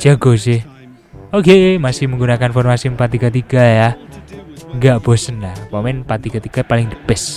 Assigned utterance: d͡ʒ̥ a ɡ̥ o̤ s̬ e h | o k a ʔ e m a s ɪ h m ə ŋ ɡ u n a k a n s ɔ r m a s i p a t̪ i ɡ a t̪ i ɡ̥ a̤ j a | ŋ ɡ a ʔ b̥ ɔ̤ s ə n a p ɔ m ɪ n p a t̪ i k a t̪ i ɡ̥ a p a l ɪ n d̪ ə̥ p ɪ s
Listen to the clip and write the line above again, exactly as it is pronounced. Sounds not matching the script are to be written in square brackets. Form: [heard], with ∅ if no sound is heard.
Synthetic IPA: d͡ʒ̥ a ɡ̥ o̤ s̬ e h | o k [e] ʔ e m a s ɪ h m ə ŋ ɡ u n a k a n [f] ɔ r m a s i p a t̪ i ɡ a t̪ i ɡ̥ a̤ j a | ŋ ɡ a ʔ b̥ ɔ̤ s ə n a p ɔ m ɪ n p a t̪ i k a t̪ i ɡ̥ a p a l ɪ [ŋ] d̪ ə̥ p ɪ s

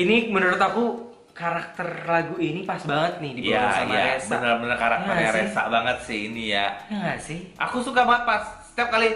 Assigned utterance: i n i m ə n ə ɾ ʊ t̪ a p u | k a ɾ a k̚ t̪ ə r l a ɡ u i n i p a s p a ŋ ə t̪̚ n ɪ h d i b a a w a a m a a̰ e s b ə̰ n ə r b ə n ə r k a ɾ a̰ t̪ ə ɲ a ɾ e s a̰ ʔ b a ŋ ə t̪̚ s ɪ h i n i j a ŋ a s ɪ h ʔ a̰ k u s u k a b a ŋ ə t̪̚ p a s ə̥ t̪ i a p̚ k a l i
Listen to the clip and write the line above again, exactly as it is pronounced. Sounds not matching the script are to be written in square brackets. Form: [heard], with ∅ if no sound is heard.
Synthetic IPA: i n i m ə n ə ɾ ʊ t̪ a [k] u | k a ɾ a k̚ t̪ ə r l a ɡ u i n i p a s [b] a ŋ ə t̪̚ n ɪ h d i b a a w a a m a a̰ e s b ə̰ n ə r b ə n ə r k a ɾ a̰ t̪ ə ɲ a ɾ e s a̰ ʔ b a ŋ ə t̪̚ s ɪ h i n i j a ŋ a s ɪ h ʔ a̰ k u s u k a b a ŋ ə t̪̚ p a s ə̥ t̪ i a p̚ k a l i

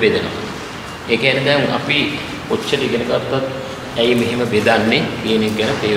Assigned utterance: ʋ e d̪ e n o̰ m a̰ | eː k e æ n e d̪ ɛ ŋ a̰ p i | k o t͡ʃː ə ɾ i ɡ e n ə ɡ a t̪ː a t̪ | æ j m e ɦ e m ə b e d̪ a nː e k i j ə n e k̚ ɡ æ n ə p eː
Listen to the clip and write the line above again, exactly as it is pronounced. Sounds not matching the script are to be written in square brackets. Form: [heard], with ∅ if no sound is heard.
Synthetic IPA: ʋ e d̪ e n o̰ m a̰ | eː k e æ n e d̪ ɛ ŋ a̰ p i | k o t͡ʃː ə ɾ i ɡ e n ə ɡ a t̪ː a t̪ | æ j m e ɦ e m ə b e d̪ a nː e k i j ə n e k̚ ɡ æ n ə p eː

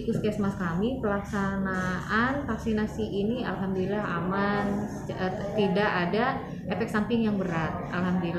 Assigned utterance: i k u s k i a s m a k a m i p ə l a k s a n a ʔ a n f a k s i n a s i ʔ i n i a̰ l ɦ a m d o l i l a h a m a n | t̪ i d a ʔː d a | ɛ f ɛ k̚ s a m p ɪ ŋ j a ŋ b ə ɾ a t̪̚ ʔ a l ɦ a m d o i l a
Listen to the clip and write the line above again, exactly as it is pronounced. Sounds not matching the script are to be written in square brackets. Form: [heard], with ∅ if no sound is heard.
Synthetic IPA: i k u s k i a s m a k a m i p ə l a k s a n a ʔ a n f a k s i n a s i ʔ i n i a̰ l ɦ a m d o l i l a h a m a n | t̪ i d a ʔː d a | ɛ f ɛ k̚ s a m p ɪ ŋ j a ŋ b ə ɾ a t̪̚ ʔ a l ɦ a m d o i l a

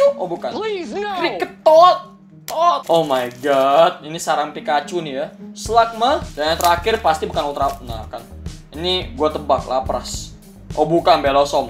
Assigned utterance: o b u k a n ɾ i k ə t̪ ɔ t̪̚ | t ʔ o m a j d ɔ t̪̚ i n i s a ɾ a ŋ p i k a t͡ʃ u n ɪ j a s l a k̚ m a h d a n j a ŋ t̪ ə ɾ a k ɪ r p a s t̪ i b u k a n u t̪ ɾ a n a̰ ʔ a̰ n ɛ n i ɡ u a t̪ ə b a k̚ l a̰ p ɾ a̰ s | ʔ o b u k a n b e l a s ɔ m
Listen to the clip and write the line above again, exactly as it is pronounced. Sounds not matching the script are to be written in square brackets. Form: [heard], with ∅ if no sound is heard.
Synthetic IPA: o b u k a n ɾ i k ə t̪ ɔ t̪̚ | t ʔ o m a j [ɡ] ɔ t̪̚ i n i s a ɾ a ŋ p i k a t͡ʃ u n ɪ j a s l a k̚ m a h d a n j a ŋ t̪ ə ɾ a k ɪ r p a s t̪ i b u k a n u t̪ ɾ a n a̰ [k] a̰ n [i] n i ɡ u a t̪ ə b a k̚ l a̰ p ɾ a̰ s | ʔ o b u k a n b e l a s ɔ m

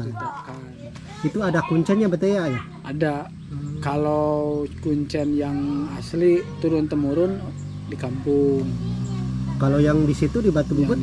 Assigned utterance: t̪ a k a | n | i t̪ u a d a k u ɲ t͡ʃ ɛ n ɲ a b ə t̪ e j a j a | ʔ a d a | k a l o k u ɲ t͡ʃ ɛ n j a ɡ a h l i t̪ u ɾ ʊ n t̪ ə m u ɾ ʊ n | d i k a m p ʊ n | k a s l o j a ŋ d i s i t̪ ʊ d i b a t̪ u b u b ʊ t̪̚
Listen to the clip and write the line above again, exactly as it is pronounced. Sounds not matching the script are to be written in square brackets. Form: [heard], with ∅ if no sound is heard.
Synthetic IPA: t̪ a k a | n | i t̪ u a d a k u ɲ t͡ʃ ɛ n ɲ a b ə t̪ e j a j a | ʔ a d a | k a l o k u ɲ t͡ʃ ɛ n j a [ŋ] a [s] l i t̪ u ɾ ʊ n t̪ ə m u ɾ ʊ n | d i k a m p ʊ [ŋ] | k a [∅] l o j a ŋ d i s i t̪ [u] d i b a t̪ u b u b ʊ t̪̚

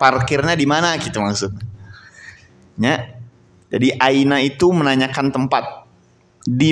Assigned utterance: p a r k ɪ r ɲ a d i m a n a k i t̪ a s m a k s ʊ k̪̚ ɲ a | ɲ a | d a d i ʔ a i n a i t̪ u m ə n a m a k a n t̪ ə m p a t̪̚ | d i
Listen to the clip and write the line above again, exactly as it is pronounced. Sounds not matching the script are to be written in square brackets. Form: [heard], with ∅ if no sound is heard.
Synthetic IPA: p a r k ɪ r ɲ a d i m a n a k i t̪ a [∅] m a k s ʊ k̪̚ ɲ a | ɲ a | [d͡ʒ] a d i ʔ a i n a i t̪ u m ə n a [ɲ] a k a n t̪ ə m p a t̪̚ | d i

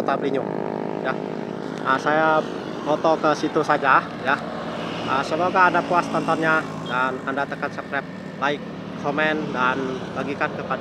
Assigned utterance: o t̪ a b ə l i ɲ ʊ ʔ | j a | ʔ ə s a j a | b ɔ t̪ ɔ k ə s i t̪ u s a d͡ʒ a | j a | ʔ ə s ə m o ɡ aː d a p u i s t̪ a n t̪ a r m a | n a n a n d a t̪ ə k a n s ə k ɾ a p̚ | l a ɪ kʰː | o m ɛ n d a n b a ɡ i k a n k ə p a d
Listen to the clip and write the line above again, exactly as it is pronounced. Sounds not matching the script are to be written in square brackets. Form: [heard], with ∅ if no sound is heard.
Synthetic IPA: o t̪ a b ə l i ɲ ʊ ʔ | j a | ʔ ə s a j a | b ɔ t̪ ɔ k ə s i t̪ u s a d͡ʒ a | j a | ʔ ə s ə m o ɡ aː d a p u [a] s t̪ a n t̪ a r [ɲ] a | [d] a n a n d a t̪ ə k a n s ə k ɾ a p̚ | l a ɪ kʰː | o m ɛ n d a n b a ɡ i k a n k ə p a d

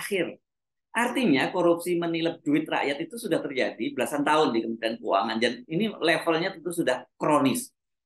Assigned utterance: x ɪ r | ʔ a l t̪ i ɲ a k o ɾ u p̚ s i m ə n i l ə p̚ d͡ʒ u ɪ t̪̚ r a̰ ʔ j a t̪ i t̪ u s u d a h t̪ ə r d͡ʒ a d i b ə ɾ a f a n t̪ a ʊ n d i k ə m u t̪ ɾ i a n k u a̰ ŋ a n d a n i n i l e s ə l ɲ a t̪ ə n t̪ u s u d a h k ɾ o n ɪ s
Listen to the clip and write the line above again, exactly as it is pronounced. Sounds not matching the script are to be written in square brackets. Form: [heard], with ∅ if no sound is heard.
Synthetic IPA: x ɪ r | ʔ a [r] t̪ i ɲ a k o ɾ u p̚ s i m ə n i l ə p̚ d͡ʒ u ɪ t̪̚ r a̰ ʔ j a t̪ i t̪ u s u d a h t̪ ə r d͡ʒ a d i b ə [l] a [s] a n t̪ a ʊ n d i k ə m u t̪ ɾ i a n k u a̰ ŋ a n d a n i n i l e [f] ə l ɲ a t̪ ə n t̪ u s u d a h k ɾ o n ɪ s

